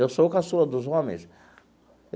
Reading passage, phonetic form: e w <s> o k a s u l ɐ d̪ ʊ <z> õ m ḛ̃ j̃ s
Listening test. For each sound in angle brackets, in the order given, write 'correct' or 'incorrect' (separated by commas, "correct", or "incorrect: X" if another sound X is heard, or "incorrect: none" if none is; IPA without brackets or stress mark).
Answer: correct, correct